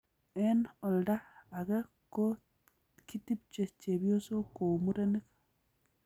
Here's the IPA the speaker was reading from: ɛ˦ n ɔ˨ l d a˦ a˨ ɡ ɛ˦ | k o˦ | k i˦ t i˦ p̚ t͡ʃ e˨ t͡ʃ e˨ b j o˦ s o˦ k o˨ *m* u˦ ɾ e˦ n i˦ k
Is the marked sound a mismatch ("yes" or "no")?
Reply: no